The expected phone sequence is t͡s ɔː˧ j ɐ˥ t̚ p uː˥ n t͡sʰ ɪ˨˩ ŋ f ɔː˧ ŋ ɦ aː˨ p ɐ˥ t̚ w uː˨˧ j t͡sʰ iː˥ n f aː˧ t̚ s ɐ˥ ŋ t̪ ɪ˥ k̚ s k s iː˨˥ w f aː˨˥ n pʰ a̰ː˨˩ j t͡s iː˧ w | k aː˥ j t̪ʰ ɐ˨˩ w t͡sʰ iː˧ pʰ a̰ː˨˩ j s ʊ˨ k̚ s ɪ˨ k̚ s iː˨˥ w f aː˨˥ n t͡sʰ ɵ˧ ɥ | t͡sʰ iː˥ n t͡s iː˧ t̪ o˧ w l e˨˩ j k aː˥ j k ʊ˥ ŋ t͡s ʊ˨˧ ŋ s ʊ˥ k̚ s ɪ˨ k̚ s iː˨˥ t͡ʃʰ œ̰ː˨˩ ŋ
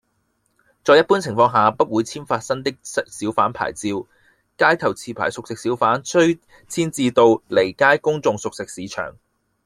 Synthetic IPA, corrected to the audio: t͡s ɔː˧ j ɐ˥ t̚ p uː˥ n t͡sʰ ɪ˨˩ ŋ f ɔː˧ ŋ ɦ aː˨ p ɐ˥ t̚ w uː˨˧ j t͡sʰ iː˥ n f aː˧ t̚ s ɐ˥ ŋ t̪ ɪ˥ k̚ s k s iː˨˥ w f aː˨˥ n pʰ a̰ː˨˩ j t͡s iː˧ w | k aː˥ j t̪ʰ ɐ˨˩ w t͡sʰ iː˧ pʰ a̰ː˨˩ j s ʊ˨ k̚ s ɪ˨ k̚ s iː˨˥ w f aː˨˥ n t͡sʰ ɵ˥ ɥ | t͡sʰ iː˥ n t͡s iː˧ t̪ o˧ w l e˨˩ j k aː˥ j k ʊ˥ ŋ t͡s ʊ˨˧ ŋ s ʊ˨ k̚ s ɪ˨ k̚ s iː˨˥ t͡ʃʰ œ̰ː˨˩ ŋ